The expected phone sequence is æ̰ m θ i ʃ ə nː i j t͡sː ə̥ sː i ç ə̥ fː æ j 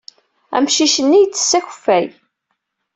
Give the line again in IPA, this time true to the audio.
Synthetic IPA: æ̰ m ʃ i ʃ ə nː i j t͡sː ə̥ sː æ ç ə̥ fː æ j